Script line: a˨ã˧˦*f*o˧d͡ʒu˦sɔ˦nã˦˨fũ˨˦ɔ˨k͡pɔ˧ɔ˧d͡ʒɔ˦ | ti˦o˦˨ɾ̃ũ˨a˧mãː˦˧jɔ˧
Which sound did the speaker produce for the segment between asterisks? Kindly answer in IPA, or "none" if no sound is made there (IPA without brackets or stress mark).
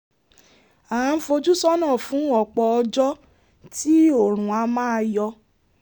f